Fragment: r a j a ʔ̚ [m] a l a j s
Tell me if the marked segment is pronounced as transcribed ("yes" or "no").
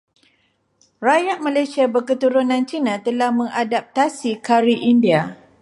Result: yes